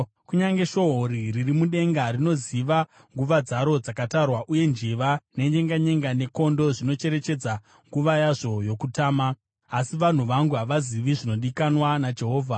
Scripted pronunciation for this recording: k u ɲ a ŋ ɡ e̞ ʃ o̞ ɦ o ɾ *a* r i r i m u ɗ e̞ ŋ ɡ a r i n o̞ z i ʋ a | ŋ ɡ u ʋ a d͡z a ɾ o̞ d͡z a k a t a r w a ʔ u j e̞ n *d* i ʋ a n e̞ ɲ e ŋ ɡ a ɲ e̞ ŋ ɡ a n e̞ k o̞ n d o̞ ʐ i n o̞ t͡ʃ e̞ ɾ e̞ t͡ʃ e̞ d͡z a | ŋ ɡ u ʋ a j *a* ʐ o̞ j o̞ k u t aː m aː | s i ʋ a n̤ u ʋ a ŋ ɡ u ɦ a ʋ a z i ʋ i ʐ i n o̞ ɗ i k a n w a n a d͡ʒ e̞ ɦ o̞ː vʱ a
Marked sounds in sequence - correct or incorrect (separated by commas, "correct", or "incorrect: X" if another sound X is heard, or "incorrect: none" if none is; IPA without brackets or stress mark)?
incorrect: i, incorrect: d͡ʒ, correct